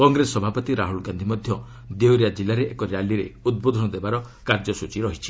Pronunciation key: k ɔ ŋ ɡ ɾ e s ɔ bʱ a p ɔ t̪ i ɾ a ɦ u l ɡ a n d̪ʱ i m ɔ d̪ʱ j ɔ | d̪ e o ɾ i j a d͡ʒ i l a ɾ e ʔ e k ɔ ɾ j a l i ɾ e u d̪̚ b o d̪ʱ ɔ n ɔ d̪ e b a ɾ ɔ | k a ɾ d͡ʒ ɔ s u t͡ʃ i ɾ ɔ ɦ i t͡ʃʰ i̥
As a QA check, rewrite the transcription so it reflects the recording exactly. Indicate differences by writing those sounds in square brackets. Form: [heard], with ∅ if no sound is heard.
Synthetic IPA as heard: k ɔ ŋ ɡ ɾ e s ɔ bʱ a p ɔ t̪ i ɾ a ɦ u l ɡ a n d̪ʱ i m ɔ d̪ʱ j ɔ | d̪ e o ɾ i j a d͡ʒ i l a ɾ e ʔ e k ɔ ɾ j a l i ɾ e u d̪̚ b o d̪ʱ ɔ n ɔ d̪ e b a ɾ ɔ | k a ɾ d͡ʒ ɔ s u t͡ʃ i ɾ ɔ ɦ i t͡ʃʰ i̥